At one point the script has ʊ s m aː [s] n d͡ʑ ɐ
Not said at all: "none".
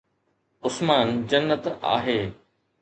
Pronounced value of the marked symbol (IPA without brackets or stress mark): none